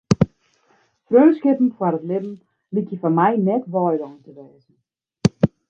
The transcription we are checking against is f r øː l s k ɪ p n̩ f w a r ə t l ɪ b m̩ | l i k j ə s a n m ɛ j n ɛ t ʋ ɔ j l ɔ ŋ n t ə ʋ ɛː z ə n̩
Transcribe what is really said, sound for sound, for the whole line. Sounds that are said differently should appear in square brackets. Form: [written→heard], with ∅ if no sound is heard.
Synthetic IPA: f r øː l s k ɪ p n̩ f w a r ə t l ɪ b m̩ | l i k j ə [s→f] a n m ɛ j n ɛ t ʋ ɔ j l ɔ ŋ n t ə ʋ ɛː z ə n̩